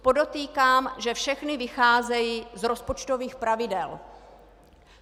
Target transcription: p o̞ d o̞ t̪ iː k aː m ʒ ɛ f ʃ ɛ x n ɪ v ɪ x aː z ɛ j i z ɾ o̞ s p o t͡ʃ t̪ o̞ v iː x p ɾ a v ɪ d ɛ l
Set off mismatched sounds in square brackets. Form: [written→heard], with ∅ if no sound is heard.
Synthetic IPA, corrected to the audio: p o̞ d o̞ t̪ iː k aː m ʒ ɛ f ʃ ɛ x n ɪ v ɪ x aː z ɛ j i z ɾ o̞ s p o t͡ʃ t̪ o̞ v iː x p ɾ a v ɪ d ɛ l